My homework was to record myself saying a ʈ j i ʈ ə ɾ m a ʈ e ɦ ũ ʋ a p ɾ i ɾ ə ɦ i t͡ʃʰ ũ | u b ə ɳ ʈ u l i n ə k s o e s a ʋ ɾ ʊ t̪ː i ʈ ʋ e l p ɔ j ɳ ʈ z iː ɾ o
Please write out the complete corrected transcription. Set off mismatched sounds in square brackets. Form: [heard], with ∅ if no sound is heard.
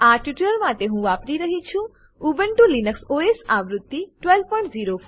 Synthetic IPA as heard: a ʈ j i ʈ ə ɾ m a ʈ e ɦ ũ ʋ a p ɾ i ɾ ə ɦ i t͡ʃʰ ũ | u b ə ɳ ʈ u l i n ə k s o e s a ʋ ɾ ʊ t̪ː i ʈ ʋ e l p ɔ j ɳ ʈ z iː ɾ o